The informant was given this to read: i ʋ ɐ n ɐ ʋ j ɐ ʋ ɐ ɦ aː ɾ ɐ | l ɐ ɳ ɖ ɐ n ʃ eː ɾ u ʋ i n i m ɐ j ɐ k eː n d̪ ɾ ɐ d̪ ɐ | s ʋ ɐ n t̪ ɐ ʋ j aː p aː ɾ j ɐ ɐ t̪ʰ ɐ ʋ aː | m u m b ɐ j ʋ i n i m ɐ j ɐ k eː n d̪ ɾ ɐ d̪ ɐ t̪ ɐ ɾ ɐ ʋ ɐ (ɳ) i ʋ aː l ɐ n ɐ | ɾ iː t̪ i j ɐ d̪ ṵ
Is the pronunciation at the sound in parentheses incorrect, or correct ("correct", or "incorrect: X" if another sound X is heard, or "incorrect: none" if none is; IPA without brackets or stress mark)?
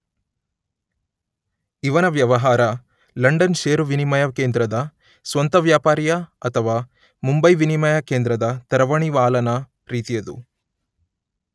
correct